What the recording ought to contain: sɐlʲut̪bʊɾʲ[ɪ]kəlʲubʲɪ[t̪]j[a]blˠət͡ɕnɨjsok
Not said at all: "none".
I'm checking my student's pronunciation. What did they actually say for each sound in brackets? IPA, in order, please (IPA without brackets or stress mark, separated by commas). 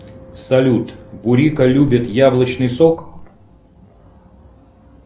i, t̪, a